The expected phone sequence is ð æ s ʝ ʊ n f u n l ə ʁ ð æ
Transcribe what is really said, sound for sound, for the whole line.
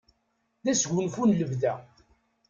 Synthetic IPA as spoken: ð æ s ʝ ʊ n f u n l ə v ð æ

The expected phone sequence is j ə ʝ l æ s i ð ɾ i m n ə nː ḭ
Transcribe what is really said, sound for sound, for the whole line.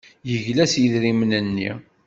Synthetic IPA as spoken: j ə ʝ l æ s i ð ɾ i m n ə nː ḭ

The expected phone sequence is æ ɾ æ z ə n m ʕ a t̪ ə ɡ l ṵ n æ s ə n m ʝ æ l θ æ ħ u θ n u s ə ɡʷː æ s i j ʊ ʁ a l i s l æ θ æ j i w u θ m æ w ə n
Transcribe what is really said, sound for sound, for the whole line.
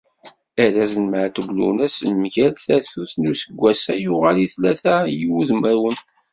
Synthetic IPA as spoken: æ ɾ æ z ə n m ʕ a t̪ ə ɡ l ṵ n æ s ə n m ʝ æ l θ æ θ u θ n u s ə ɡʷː æ s æ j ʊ ʁ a l i θ l æ θ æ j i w u ð m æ w ə n

